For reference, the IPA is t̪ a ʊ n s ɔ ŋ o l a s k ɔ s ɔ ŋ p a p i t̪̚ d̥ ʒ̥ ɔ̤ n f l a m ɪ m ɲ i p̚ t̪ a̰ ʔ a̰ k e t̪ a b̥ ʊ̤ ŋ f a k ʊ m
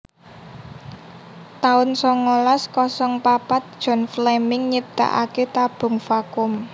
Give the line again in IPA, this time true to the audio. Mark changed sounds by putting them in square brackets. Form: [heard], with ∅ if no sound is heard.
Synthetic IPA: t̪ a ʊ n s ɔ ŋ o l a s k ɔ s ɔ ŋ p a p [a] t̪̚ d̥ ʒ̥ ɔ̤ n f l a m ɪ [ŋ] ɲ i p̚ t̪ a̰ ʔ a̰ k e t̪ a b̥ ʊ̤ ŋ f a k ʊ m